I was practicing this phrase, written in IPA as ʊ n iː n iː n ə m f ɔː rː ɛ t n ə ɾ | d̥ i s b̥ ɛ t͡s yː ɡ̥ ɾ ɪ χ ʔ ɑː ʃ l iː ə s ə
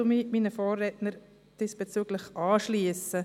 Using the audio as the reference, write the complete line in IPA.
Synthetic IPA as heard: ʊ m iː m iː n ə f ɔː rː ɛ t n ə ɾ | d̥ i s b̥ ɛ t͡s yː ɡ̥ l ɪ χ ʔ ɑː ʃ l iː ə s ə